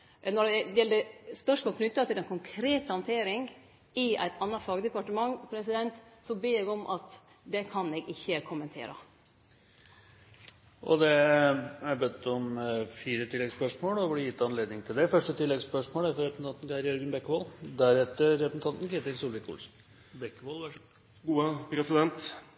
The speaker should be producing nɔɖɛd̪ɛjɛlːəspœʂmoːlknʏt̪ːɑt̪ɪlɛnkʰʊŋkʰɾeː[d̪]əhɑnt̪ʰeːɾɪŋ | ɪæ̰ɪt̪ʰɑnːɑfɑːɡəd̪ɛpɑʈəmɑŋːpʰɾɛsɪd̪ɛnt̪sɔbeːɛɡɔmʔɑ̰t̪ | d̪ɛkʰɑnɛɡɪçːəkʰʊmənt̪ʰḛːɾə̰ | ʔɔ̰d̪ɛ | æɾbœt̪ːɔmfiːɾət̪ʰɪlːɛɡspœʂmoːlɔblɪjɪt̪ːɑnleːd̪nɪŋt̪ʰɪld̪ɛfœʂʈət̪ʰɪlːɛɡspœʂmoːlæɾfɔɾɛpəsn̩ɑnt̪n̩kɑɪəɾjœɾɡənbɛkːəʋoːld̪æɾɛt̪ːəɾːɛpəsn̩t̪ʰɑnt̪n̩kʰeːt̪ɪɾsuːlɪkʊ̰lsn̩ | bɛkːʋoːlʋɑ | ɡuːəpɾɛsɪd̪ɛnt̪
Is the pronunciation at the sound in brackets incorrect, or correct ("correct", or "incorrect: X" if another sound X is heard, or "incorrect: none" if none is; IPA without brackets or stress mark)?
incorrect: t̪